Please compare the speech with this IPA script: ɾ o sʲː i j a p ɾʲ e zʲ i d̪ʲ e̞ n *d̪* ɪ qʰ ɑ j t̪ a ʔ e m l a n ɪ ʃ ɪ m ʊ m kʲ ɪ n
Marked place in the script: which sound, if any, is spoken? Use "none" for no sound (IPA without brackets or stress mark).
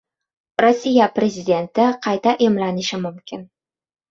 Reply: t̪